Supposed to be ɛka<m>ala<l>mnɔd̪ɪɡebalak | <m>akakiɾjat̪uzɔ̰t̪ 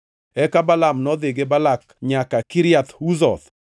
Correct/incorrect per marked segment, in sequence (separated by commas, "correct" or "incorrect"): incorrect, incorrect, incorrect